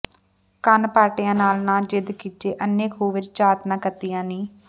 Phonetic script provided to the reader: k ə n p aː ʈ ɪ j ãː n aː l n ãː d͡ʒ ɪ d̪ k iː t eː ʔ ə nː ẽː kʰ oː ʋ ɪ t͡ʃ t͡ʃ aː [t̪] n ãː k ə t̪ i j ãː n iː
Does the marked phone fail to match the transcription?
no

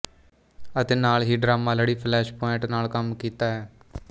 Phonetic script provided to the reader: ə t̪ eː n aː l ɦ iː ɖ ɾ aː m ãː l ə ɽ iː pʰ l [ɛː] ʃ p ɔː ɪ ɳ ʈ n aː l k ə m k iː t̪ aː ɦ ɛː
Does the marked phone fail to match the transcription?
no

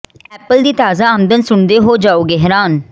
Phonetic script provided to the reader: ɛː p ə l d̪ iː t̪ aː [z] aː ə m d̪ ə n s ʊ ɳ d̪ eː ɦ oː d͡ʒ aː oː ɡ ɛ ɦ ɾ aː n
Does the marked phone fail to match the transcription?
no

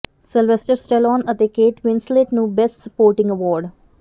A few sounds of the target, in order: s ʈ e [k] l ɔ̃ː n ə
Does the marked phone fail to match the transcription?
yes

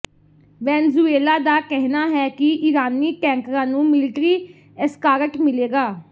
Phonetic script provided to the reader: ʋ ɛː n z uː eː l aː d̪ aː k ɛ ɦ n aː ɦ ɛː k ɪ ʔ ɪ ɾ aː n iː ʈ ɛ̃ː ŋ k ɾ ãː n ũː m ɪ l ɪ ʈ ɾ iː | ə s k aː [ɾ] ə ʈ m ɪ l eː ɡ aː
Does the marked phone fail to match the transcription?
no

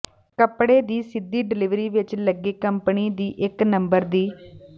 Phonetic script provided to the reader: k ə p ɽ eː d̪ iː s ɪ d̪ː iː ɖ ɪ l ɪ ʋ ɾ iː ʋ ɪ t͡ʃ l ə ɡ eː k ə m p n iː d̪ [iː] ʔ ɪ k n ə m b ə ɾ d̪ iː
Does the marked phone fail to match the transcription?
no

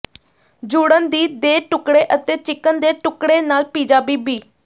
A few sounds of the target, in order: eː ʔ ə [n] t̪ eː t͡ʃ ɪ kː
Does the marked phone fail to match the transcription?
yes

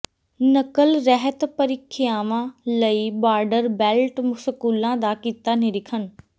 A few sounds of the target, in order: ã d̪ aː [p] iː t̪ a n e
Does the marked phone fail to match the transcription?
yes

